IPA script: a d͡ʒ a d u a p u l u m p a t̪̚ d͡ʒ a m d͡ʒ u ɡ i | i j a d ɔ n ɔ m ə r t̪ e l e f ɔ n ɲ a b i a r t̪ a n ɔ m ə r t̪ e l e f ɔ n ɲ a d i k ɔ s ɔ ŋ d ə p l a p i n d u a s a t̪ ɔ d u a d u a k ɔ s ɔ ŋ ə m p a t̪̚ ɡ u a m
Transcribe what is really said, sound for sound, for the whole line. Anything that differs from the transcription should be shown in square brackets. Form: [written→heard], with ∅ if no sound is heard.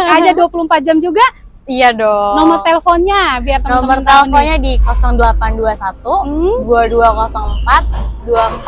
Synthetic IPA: a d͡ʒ a d u a p u l u m p a t̪̚ d͡ʒ a m d͡ʒ u ɡ [i→a] | i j a d ɔ n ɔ m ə r t̪ e l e f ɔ n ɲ a b i a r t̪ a n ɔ m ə r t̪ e l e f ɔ n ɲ a d i k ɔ s ɔ ŋ d ə [p→∅] l a p [i→a] n d u a s a t̪ [ɔ→u] d u a d u a k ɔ s ɔ ŋ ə m p a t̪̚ [ɡ→d] u a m